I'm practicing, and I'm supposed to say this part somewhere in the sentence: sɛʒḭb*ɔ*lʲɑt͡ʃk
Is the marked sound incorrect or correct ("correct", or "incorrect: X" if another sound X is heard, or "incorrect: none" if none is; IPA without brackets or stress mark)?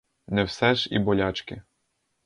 correct